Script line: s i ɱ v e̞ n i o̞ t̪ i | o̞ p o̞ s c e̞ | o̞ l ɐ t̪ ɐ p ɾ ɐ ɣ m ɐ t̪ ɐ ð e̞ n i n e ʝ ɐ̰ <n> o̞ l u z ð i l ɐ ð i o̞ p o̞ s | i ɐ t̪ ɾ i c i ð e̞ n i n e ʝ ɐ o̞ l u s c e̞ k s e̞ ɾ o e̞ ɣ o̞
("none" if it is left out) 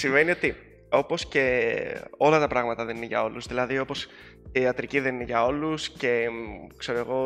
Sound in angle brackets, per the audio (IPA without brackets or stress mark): none